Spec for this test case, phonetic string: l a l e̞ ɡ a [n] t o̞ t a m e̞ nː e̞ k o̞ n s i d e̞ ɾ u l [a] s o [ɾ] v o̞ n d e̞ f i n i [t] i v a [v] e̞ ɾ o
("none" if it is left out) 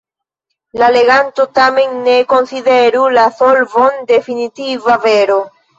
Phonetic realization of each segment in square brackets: n, a, l, t, v

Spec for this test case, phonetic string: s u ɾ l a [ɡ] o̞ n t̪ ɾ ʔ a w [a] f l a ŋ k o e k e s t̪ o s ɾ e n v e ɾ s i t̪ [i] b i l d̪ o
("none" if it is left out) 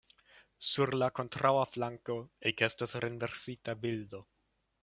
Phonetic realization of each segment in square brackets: k, a, a

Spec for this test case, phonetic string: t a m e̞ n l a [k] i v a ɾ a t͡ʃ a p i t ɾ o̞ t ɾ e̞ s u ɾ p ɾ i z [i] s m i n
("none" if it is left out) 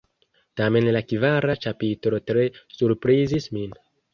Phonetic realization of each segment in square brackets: k, i

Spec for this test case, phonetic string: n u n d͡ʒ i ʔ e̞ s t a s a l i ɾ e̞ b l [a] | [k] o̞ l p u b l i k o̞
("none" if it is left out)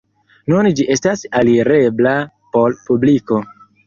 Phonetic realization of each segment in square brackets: a, p

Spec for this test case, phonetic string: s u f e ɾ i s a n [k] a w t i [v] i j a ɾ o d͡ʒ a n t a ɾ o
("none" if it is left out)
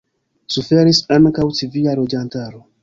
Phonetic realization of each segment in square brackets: k, v

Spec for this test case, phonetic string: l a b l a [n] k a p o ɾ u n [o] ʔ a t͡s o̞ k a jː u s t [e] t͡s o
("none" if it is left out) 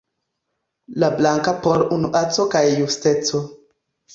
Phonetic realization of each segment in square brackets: ŋ, u, e

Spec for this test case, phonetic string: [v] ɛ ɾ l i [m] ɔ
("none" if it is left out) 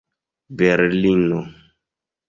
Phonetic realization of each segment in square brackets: b, n

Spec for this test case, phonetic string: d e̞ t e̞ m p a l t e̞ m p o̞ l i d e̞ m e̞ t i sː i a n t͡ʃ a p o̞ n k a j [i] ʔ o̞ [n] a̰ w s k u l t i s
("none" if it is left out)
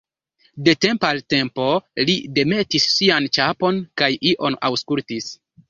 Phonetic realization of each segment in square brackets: i, n

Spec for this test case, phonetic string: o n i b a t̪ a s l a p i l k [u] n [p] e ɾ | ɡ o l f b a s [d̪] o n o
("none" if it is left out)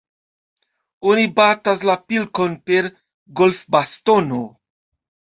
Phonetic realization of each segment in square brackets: o, p, t̪

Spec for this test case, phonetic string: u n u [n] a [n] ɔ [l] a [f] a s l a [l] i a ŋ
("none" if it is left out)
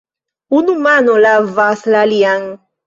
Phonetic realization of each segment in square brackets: m, n, l, v, l

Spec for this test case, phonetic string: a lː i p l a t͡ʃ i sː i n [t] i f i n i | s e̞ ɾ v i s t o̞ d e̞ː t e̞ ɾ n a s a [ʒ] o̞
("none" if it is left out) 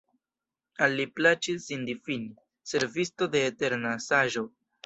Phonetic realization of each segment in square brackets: d, ʒ

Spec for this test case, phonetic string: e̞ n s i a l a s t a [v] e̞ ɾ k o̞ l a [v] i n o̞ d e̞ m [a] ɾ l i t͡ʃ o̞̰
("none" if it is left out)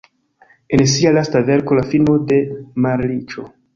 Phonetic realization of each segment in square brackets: v, f, a

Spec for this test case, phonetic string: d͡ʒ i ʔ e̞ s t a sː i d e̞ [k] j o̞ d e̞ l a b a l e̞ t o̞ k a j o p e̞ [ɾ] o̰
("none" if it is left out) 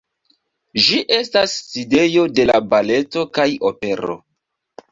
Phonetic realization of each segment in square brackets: none, ɾ

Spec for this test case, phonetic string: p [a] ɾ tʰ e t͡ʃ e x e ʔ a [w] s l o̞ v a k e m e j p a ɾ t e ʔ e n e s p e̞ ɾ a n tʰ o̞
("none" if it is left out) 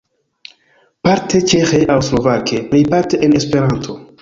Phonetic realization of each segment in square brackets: a, w

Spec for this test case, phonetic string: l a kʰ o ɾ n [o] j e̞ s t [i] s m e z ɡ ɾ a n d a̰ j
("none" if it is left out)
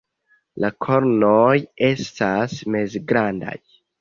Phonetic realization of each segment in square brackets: o, a

